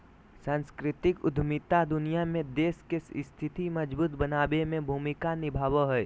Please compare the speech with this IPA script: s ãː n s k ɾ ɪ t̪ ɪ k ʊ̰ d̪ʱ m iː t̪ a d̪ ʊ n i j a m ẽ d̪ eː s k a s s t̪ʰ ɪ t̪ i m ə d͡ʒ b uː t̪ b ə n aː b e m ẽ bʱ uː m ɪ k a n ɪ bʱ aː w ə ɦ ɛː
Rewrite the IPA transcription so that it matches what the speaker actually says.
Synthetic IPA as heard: s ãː n s k ɾ ɪ t̪ ɪ k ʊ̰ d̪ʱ m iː t̪ a d̪ ʊ n i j a m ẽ d̪ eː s k e s s t̪ʰ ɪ t̪ i m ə d͡ʒ b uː t̪ b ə n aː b e m ẽ bʱ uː m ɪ k a n ɪ bʱ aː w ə ɦ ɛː